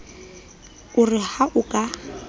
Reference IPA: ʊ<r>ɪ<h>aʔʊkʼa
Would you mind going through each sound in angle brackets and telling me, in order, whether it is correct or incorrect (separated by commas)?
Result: correct, correct